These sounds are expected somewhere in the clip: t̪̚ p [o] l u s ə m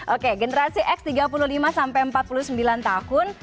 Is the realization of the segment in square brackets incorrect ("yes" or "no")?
yes